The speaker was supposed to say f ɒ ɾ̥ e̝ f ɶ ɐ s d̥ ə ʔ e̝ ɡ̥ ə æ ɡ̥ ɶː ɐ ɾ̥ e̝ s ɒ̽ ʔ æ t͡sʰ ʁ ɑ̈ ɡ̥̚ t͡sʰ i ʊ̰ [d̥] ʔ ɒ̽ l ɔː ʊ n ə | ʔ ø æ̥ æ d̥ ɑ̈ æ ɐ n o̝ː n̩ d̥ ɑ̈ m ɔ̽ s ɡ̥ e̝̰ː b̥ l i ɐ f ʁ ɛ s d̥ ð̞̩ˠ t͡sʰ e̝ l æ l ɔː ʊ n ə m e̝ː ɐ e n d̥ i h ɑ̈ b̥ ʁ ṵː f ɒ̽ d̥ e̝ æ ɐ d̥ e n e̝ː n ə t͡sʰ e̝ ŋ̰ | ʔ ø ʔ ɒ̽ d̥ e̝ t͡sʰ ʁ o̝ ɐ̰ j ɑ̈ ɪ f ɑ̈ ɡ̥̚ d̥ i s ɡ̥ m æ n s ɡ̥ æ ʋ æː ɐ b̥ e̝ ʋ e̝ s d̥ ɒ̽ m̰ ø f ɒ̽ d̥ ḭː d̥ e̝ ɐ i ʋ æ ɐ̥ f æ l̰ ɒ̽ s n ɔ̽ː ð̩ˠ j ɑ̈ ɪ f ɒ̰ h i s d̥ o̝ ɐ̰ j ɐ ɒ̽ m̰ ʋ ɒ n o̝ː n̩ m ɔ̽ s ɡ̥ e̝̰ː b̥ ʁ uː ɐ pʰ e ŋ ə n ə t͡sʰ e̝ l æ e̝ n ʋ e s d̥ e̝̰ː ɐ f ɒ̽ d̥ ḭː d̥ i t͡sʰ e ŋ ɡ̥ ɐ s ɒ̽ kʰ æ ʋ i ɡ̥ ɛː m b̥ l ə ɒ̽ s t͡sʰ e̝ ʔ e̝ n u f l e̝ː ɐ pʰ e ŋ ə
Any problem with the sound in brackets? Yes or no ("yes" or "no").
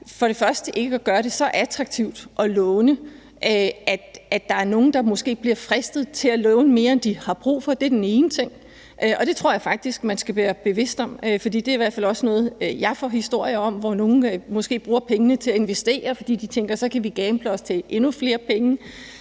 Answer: no